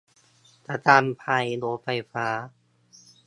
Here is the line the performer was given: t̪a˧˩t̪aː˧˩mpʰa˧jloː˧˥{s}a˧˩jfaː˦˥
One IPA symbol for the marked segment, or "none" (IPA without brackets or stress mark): f